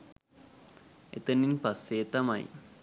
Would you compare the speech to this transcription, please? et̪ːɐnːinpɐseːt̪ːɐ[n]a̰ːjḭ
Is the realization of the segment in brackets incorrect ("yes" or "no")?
yes